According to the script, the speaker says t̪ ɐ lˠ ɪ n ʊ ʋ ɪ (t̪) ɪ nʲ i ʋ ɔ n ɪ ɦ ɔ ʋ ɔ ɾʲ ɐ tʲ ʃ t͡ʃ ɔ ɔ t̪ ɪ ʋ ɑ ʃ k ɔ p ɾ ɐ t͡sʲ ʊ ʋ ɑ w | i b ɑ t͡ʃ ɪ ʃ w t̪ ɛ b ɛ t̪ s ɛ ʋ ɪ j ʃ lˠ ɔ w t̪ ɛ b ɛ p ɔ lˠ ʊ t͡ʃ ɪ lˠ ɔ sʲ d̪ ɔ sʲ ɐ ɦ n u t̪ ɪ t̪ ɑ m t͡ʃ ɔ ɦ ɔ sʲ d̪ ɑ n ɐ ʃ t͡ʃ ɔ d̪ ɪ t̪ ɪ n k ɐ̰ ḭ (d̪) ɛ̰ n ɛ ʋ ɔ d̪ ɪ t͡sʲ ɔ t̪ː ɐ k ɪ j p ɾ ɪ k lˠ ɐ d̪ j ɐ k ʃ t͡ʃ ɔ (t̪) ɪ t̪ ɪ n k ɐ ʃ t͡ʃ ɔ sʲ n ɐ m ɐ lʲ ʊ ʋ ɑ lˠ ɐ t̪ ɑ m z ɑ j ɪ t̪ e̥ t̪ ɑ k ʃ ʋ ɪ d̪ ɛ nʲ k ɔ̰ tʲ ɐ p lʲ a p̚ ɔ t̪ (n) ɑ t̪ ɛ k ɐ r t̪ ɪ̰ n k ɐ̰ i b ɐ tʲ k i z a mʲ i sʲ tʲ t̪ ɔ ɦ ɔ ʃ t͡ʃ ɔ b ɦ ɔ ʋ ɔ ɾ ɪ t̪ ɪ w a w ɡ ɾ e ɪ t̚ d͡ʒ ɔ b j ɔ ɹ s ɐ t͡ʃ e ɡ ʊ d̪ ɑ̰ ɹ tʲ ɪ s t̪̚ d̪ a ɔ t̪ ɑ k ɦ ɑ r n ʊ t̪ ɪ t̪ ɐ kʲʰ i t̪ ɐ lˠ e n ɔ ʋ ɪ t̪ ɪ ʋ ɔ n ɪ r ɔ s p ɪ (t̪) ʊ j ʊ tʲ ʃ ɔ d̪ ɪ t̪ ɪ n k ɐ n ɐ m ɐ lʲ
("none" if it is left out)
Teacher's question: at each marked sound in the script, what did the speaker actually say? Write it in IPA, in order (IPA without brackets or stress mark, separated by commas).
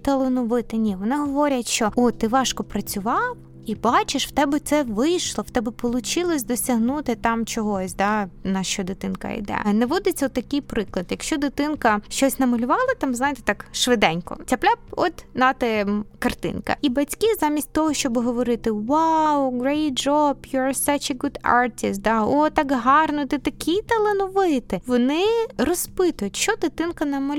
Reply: t̪, d̪, d̪, n, t̪